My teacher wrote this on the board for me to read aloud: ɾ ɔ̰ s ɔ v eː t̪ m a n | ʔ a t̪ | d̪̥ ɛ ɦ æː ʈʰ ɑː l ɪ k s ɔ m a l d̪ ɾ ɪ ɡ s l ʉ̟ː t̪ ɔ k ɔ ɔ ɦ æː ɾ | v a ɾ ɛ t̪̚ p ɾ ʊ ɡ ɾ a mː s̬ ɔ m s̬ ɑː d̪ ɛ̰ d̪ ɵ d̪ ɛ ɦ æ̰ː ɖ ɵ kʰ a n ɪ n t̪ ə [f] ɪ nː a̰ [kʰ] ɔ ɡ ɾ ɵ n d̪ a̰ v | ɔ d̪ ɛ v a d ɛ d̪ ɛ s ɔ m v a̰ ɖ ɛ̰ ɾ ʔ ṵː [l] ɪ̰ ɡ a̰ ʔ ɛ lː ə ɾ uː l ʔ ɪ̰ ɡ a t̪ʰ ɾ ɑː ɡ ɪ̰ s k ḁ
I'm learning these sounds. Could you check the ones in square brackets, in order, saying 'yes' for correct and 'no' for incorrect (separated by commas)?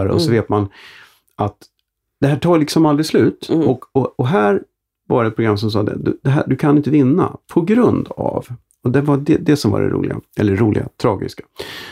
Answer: no, no, yes